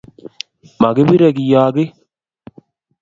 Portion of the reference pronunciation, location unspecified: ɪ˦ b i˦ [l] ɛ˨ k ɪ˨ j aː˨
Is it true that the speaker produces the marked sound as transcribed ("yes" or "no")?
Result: no